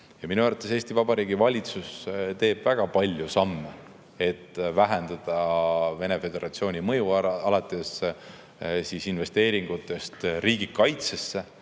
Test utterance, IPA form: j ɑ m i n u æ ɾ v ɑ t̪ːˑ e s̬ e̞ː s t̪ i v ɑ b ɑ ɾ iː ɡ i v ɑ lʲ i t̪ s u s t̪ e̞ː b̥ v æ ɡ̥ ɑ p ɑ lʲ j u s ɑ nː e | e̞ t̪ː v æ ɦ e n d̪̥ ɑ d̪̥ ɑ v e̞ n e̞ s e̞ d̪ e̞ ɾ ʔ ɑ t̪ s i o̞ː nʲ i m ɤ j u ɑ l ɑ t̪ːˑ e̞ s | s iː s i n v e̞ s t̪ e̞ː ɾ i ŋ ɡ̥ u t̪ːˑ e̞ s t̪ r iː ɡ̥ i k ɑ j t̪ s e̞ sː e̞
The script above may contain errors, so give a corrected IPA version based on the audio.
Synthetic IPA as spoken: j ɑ m i n u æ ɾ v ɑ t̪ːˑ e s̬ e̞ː s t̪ i v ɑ b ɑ ɾ iː ɡ i v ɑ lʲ i t̪ s u s t̪ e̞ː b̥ v æ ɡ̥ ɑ p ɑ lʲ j u s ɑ mː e | e̞ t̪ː v æ ɦ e n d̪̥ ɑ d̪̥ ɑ v e̞ n e̞ f e̞ d̪ e̞ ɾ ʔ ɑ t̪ s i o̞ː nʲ i m ɤ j u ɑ l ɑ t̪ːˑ e̞ s | s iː s i n v e̞ s t̪ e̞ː ɾ i ŋ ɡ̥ u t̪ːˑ e̞ s t̪ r iː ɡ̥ i k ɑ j t̪ s e̞ sː e̞